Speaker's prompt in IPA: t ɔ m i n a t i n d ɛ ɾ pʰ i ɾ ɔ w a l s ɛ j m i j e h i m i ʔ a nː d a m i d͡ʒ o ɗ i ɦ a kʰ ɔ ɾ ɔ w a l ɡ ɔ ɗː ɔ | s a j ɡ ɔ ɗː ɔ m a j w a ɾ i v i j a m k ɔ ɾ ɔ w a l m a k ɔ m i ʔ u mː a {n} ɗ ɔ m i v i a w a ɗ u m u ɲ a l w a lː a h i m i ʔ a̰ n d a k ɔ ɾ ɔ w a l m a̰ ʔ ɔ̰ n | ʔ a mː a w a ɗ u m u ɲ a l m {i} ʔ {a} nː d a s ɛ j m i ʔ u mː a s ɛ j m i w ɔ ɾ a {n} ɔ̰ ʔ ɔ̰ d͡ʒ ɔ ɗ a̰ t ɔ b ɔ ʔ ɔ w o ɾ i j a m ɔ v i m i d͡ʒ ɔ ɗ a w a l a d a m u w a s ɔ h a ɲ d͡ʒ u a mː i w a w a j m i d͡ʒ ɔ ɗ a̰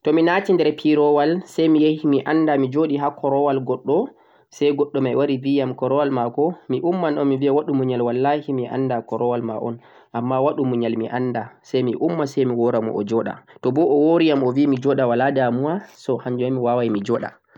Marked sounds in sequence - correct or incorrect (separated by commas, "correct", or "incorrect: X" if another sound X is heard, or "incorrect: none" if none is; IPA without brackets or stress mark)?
correct, correct, correct, incorrect: m